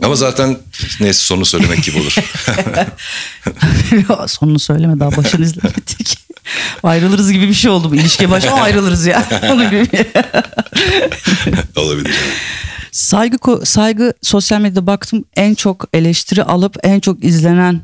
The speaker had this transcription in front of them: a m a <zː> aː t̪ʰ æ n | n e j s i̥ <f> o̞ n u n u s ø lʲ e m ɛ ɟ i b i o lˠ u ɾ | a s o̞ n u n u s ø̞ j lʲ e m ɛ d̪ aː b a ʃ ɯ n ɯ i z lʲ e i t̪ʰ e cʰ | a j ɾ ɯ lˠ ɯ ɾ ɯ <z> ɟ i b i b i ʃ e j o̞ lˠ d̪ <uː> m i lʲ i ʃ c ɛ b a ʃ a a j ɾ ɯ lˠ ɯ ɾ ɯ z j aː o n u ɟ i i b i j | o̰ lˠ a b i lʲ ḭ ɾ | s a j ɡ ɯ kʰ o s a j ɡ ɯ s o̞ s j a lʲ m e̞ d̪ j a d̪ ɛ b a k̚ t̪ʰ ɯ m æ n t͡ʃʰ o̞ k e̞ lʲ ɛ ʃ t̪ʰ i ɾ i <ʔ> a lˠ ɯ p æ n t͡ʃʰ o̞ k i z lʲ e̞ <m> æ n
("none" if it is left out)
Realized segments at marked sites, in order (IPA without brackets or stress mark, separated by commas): z, s, z, u, ʔ, n